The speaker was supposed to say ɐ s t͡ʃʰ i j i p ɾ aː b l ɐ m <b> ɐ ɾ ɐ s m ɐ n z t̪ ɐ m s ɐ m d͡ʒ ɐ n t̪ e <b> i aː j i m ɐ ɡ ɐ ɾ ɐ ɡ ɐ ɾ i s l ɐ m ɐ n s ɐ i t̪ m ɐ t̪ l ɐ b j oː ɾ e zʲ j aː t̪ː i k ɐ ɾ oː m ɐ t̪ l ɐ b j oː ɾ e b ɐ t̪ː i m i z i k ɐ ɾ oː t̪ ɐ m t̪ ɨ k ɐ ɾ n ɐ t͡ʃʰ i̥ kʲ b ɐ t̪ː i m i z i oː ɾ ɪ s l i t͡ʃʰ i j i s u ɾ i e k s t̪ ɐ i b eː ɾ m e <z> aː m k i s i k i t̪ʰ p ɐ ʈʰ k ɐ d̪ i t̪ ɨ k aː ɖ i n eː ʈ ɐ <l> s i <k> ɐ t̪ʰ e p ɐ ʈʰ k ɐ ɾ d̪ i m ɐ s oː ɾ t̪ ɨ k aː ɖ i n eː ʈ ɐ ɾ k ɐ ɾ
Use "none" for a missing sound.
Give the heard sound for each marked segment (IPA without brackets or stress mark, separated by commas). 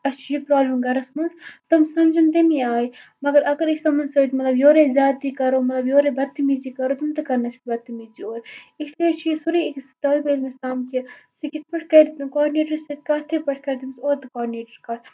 ɡ, m, s, ɾ, k